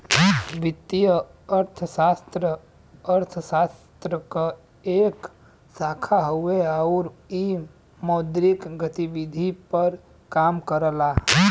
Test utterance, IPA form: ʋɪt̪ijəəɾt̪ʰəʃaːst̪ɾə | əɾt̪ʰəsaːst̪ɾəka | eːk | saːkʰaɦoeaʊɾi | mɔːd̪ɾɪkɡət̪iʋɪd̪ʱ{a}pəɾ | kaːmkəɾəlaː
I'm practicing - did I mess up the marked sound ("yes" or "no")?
yes